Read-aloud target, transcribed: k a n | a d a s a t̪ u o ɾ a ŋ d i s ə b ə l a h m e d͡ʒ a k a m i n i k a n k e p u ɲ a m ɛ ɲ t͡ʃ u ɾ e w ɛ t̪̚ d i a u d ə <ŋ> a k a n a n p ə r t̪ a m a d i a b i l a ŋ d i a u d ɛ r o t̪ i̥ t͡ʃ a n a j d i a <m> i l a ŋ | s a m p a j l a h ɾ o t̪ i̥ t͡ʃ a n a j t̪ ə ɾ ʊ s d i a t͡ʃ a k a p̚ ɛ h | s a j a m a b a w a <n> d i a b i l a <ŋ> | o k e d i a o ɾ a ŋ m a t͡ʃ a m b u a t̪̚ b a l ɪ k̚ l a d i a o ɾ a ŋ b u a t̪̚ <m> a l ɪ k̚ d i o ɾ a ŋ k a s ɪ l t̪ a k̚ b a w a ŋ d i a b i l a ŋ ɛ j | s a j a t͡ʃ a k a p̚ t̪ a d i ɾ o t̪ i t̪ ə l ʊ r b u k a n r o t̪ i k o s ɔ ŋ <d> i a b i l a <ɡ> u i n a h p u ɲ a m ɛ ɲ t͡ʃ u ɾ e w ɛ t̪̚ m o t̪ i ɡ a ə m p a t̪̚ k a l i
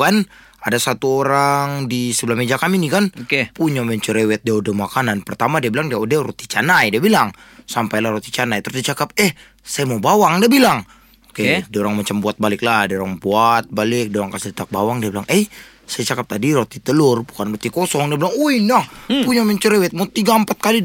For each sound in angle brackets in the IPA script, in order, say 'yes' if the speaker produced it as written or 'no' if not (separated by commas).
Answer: no, no, no, yes, no, yes, no